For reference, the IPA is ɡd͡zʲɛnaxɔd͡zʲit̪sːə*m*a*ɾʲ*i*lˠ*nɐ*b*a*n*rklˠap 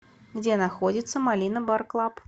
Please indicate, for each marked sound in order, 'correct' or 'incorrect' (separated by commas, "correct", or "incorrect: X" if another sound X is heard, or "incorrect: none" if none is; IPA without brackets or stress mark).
correct, incorrect: lʲ, incorrect: none, correct, incorrect: none